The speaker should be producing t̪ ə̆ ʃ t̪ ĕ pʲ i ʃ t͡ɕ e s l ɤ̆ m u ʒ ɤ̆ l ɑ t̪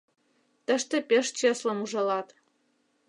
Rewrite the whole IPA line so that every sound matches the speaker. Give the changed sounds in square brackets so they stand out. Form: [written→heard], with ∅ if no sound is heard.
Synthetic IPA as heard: t̪ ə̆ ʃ t̪ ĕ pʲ [i→e] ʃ t͡ɕ e s l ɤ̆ m u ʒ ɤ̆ l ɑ t̪